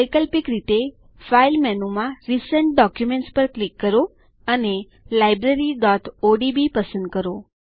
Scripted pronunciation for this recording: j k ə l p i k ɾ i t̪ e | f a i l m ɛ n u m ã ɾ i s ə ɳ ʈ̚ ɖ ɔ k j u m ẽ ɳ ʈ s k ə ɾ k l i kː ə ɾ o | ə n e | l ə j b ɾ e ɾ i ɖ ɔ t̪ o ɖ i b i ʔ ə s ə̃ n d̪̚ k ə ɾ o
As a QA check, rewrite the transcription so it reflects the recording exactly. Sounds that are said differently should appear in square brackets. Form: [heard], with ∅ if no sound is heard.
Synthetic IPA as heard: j k ə l p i k ɾ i t̪ e | f a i l m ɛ n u m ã ɾ i s ə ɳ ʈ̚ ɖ ɔ k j u m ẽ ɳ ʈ s [p] ə ɾ k l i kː ə ɾ o | ə n e | l [a] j b ɾ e ɾ i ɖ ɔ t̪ o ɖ i b i [p] ə s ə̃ n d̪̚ k ə ɾ o